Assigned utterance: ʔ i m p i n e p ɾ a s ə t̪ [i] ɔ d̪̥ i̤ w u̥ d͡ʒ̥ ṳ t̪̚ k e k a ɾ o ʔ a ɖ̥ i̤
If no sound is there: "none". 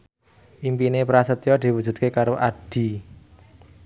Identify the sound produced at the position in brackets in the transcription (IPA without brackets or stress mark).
j